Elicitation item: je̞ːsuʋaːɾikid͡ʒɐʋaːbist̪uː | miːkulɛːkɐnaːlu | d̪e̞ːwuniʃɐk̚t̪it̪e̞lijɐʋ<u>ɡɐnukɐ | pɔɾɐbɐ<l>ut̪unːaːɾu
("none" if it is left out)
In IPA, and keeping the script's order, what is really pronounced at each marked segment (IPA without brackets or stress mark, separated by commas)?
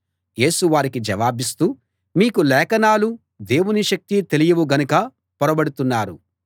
u, ɽ